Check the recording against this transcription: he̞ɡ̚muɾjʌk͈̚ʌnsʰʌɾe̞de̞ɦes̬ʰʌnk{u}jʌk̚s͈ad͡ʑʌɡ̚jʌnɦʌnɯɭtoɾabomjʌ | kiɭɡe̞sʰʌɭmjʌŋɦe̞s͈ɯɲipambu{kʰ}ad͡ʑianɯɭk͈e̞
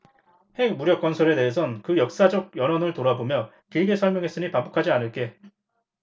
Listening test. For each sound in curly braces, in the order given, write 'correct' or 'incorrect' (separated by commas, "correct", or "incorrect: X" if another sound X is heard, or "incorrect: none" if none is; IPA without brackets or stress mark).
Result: incorrect: ɯ, correct